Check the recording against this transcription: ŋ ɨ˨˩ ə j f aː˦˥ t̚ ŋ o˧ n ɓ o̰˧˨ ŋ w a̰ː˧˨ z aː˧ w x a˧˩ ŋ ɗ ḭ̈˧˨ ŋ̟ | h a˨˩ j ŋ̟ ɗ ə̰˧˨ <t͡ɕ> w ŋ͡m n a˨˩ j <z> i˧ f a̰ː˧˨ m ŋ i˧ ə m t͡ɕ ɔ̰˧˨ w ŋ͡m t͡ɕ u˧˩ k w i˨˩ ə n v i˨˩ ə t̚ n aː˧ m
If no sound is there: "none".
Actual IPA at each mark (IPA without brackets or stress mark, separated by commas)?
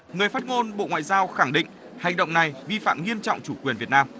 none, v